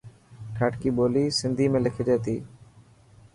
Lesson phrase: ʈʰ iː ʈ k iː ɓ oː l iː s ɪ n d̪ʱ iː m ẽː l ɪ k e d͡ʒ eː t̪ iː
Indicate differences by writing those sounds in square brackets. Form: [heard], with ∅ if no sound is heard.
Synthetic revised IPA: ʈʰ [aː] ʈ k iː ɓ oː l iː s ɪ n d̪ʱ iː m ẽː l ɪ [kʰ] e d͡ʒ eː t̪ iː